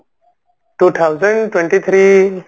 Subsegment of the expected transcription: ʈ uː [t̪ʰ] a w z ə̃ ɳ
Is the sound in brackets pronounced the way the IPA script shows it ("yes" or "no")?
yes